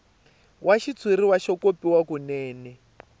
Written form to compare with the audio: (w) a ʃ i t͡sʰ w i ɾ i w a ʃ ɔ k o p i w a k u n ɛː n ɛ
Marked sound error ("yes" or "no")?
no